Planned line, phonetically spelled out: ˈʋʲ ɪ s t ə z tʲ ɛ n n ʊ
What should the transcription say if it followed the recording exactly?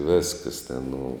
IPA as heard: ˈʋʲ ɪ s k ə s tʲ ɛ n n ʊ